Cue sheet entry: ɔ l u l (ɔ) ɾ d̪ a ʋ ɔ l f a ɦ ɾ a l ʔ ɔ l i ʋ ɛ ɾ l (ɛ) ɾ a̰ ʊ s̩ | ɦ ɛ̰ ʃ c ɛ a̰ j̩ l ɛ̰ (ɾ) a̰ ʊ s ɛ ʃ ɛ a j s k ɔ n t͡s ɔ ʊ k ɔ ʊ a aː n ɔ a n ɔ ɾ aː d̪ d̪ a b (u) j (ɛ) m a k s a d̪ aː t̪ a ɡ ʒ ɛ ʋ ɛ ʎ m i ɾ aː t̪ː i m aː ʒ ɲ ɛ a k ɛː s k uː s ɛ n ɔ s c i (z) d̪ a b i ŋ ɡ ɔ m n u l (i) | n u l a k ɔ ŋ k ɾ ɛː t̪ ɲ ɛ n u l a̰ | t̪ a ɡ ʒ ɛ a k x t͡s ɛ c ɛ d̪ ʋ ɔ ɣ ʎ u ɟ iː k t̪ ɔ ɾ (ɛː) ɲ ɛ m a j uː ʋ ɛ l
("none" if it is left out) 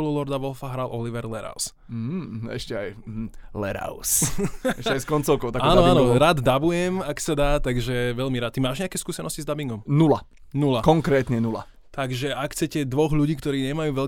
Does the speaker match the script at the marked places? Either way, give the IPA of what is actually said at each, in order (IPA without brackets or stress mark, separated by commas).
ɔ, ɛ, ɾ, u, ɛ, z, a, iː